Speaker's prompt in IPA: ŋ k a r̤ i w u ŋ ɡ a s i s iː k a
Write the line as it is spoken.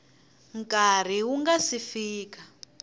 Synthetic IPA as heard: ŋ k a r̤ i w u ŋ ɡ a s i f iː k a